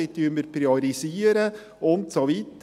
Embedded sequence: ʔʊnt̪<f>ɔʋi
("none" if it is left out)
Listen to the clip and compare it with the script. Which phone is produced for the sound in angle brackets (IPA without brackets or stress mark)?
s